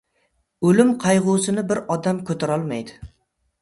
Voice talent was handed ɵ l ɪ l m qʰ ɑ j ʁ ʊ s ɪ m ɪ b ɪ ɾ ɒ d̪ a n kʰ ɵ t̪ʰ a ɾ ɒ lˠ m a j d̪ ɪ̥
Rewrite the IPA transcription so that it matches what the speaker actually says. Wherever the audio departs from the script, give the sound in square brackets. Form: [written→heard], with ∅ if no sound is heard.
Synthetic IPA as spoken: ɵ l ɪ [l→∅] m qʰ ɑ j ʁ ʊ s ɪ [m→n] ɪ b ɪ ɾ ɒ d̪ a [n→m] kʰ ɵ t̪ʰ a ɾ ɒ lˠ m a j d̪ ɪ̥